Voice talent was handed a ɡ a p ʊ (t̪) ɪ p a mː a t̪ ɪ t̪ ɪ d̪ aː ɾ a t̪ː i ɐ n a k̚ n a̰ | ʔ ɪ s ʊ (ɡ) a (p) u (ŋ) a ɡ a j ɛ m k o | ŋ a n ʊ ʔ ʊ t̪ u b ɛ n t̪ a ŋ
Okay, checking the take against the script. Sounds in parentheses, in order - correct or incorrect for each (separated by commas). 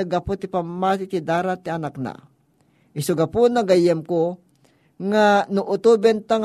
correct, correct, correct, incorrect